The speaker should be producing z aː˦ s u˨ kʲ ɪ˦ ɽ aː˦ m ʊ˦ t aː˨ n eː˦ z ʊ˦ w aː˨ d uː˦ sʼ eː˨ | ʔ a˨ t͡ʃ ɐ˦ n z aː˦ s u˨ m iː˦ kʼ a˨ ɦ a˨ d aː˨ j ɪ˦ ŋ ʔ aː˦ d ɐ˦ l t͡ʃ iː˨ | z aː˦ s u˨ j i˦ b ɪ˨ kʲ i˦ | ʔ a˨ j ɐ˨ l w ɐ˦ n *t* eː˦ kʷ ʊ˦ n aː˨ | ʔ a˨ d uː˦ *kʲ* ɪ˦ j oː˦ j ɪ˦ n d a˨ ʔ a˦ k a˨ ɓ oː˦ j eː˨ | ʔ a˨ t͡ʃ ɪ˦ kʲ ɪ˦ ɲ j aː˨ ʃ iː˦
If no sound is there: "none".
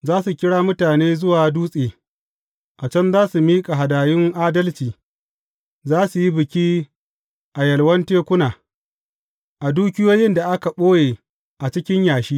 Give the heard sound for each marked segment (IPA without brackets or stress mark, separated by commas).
t, kʲ